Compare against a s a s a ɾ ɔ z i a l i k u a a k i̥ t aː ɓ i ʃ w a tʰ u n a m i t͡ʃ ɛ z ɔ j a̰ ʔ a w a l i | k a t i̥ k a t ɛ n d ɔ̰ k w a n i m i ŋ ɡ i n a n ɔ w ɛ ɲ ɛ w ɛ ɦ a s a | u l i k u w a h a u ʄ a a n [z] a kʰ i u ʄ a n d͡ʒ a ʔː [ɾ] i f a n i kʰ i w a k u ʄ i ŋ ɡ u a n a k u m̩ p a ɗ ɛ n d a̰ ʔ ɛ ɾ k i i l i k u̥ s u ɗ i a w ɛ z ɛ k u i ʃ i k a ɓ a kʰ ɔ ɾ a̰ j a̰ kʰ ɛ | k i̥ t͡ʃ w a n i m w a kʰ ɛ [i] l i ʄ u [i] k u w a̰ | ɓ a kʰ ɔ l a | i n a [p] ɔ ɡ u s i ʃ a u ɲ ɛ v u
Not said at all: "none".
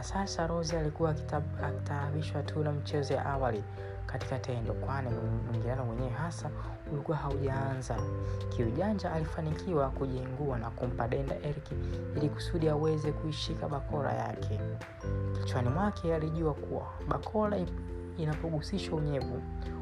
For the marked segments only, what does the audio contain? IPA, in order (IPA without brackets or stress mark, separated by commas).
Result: z, l, a, a, p